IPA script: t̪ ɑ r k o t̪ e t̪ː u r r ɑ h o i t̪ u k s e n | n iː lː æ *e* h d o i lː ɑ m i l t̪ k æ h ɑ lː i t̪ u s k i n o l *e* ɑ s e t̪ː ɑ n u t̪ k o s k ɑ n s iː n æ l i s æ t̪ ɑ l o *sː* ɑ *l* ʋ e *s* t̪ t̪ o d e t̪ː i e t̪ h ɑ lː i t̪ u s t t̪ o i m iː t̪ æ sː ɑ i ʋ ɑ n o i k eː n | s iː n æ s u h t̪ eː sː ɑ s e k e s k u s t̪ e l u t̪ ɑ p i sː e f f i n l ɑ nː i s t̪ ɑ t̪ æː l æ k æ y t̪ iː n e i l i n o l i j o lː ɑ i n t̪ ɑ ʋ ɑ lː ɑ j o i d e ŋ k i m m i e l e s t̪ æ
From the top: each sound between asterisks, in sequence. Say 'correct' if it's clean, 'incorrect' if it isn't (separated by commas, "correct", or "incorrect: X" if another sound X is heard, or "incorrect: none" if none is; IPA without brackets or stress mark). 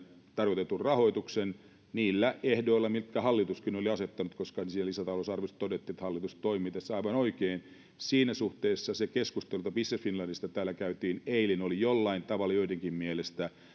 correct, incorrect: i, incorrect: s, incorrect: r, correct